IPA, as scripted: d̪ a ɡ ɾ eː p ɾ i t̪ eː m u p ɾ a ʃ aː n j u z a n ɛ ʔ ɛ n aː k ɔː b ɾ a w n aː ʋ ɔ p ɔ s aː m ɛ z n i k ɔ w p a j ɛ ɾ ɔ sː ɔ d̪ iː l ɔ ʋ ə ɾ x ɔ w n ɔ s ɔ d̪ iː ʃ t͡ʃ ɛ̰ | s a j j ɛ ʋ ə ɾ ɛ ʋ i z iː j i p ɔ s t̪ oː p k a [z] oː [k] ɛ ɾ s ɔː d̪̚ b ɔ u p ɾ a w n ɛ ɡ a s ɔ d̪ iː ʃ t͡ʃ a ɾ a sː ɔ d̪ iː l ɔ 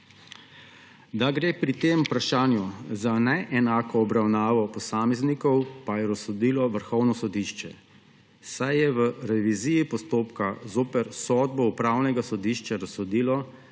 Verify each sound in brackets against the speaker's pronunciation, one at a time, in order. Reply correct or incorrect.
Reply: correct, incorrect: p

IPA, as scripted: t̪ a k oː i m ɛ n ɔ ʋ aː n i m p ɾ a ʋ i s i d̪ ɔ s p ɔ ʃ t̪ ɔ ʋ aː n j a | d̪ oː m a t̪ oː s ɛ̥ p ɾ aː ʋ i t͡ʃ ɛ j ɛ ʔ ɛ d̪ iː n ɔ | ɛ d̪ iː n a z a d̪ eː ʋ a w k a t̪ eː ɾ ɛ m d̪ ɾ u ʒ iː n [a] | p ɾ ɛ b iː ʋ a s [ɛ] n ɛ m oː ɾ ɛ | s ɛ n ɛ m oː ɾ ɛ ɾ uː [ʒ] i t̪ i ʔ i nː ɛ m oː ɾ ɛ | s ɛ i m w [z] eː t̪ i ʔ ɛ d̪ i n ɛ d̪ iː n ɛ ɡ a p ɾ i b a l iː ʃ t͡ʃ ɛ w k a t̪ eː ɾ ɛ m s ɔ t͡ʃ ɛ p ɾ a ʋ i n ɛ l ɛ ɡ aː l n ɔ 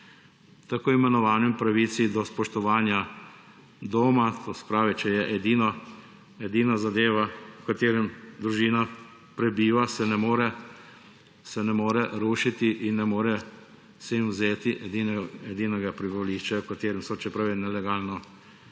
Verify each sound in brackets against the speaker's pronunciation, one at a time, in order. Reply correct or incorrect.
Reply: correct, correct, incorrect: ʃ, correct

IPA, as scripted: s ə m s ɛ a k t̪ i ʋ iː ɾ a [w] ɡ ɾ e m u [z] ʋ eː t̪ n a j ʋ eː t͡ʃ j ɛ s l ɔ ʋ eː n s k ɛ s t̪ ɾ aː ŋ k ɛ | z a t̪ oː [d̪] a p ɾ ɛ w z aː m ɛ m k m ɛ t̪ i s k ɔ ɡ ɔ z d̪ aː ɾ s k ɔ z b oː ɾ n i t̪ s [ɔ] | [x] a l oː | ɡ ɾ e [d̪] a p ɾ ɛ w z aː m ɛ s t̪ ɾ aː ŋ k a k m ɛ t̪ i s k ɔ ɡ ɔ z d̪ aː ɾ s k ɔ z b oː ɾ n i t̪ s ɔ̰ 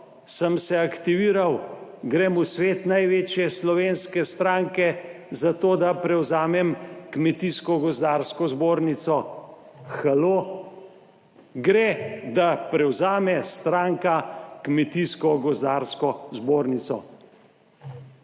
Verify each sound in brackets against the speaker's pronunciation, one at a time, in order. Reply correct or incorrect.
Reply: correct, incorrect: s, correct, correct, correct, correct

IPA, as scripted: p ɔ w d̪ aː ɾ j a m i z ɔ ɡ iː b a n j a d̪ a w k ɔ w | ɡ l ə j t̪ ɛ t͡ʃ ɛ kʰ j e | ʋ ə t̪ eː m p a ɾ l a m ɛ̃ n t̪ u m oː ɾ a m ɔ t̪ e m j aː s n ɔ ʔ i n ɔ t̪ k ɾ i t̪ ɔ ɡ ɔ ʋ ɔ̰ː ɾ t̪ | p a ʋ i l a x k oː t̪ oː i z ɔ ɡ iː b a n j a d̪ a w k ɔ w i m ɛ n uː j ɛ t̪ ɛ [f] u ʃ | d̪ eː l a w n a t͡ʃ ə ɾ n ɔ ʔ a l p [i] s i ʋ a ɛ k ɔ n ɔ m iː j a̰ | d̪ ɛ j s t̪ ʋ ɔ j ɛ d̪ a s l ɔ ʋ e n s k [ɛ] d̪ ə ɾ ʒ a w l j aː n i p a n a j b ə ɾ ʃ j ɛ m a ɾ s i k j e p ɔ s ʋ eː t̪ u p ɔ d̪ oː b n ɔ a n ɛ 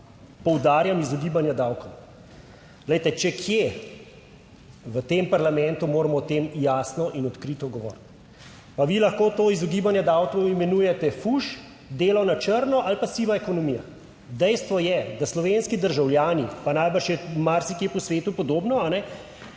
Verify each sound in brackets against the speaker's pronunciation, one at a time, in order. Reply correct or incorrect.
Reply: correct, incorrect: a, incorrect: i

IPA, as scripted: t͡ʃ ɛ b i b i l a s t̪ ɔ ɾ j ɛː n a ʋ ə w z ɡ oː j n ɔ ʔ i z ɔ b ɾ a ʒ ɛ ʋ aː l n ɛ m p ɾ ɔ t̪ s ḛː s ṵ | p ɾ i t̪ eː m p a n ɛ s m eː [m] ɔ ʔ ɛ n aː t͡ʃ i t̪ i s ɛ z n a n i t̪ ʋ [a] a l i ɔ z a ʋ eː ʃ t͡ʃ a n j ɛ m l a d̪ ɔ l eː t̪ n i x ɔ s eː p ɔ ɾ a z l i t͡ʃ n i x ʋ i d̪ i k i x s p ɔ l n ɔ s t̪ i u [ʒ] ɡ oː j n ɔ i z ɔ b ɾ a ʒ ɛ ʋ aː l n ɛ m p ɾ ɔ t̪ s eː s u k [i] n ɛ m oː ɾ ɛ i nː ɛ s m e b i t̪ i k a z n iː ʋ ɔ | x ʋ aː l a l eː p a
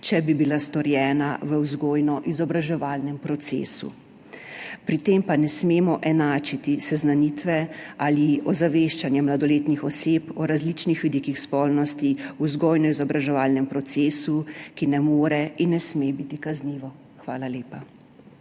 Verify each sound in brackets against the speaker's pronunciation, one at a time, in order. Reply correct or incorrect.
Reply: correct, incorrect: ɛ, incorrect: z, correct

